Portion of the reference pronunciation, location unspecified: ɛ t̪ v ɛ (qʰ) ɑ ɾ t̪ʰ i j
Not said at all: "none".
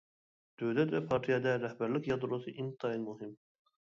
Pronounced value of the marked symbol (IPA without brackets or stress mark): pʰ